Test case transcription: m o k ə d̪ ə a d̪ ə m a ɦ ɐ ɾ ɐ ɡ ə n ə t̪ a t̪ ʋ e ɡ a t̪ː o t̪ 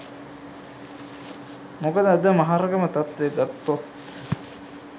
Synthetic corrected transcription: m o k ə d̪ ə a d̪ ə m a ɦ a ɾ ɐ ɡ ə m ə t̪ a t̪ ʋ e ɡ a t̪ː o t̪